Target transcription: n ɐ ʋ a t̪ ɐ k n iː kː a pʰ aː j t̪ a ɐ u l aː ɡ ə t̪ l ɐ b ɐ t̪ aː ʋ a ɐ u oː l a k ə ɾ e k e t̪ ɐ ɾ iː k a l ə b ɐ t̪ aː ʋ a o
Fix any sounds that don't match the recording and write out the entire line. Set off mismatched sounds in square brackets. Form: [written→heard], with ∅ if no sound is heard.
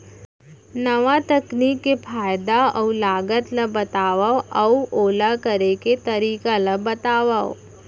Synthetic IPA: n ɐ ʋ a t̪ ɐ k n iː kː [a→e] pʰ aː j [t̪→d̪] a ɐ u l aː ɡ ə t̪ l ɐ b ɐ t̪ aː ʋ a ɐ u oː l a k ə ɾ e k e t̪ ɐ ɾ iː k a l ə b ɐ t̪ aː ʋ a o